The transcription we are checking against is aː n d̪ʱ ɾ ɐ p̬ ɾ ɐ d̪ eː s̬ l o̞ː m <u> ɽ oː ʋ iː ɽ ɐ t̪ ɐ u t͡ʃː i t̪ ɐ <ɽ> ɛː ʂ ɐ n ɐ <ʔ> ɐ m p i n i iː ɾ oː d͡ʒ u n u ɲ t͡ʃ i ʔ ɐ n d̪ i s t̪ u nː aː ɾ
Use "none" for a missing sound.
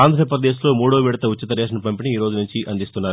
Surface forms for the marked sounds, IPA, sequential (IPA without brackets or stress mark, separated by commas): uː, ɾ, p